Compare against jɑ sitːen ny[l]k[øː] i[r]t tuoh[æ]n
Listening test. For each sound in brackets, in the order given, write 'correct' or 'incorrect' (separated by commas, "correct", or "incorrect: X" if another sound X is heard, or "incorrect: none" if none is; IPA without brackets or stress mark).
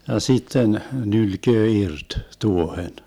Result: correct, correct, correct, incorrect: e